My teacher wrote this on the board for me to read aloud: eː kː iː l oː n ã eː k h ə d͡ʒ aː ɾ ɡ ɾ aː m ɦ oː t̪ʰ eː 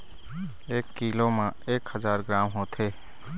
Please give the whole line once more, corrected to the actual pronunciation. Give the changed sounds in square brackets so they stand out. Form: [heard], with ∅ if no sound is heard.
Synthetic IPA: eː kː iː l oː [m] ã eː k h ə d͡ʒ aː ɾ ɡ ɾ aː m ɦ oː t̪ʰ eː